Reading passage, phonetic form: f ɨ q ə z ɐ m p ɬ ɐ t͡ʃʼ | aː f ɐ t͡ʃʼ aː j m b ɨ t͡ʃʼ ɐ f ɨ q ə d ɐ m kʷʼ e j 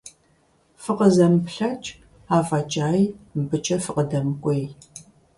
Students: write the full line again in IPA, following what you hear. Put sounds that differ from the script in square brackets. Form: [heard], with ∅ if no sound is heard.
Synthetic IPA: f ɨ q ə z ɐ m p ɬ ɐ t͡ʃʼ | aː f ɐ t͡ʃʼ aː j m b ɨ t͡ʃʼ ɐ f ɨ q ə d ɐ m kʷʼ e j